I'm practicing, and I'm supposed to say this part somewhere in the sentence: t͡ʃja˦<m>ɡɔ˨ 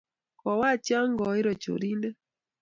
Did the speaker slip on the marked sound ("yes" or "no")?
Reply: yes